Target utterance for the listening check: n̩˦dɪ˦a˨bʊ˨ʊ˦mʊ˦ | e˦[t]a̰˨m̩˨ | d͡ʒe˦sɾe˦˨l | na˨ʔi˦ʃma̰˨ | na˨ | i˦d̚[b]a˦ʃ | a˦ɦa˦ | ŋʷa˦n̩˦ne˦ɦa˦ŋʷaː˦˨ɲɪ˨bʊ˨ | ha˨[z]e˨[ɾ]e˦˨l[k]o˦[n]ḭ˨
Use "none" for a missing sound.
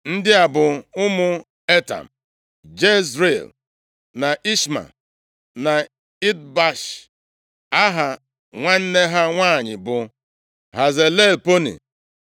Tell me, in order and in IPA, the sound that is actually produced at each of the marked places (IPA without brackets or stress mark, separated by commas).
t, b, z, l, p, n